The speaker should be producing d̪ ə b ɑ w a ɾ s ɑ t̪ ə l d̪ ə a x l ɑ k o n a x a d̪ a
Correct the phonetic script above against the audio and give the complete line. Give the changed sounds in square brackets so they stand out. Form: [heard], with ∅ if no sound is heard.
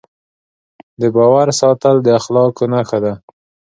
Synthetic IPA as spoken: d̪ ə b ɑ w a ɾ s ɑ t̪ ə l d̪ ə a x l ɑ k o n a x a d̪ a